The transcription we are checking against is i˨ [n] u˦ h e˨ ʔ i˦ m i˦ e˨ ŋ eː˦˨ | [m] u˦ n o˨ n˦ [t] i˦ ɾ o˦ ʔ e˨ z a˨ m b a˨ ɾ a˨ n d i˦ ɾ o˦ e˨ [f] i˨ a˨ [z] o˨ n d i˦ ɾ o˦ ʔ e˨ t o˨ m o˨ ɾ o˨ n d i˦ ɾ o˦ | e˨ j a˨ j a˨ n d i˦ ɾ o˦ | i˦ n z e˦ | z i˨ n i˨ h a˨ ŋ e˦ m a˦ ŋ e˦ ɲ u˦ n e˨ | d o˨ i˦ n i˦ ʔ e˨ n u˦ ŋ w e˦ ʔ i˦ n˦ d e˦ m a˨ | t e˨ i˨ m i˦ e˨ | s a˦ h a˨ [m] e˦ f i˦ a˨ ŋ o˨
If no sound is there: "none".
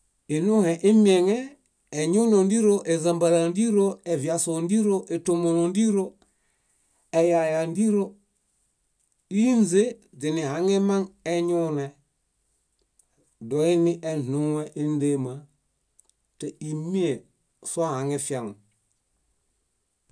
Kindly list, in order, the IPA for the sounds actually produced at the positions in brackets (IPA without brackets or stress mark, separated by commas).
n, ɲ, d, v, s, ŋ